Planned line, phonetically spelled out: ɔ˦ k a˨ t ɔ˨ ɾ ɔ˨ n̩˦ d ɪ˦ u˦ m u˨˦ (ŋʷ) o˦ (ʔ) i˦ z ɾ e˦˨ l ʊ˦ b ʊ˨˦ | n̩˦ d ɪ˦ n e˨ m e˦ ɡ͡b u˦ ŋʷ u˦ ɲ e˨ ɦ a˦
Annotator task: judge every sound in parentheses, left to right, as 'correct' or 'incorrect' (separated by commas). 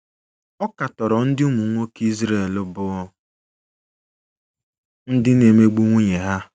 correct, incorrect